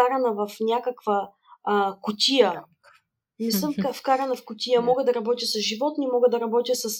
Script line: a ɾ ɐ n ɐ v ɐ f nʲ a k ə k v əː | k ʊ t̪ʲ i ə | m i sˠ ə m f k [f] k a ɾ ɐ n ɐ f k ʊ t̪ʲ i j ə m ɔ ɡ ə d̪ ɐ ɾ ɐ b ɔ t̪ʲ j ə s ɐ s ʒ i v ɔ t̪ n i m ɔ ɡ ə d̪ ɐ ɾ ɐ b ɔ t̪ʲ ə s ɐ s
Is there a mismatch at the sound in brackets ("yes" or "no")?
no